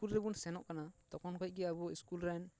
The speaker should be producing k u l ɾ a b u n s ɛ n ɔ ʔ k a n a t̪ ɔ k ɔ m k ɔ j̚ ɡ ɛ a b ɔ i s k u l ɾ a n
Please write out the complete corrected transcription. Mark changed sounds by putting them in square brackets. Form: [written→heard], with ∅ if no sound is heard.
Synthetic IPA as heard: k u l ɾ [a→ɛ] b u n s ɛ n ɔ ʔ k a n a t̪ ɔ k ɔ [m→n] k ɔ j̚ ɡ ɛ a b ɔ i s k u l ɾ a n